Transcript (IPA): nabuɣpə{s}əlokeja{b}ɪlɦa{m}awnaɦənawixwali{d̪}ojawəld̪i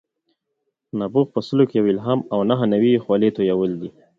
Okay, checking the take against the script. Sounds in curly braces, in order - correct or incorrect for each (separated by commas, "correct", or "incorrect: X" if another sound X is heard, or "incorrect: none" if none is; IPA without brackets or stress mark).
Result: correct, incorrect: w, correct, incorrect: t̪